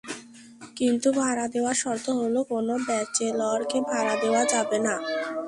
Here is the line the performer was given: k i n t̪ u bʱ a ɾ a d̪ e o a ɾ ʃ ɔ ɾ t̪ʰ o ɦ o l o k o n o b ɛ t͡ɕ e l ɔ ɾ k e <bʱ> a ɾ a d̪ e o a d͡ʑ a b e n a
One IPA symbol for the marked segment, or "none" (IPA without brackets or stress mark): bʱ